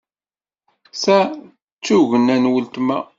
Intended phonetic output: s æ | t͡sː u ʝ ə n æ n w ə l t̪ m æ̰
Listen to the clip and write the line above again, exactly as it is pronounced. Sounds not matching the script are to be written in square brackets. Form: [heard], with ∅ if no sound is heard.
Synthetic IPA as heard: s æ | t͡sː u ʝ ə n æ n w ə l t̪ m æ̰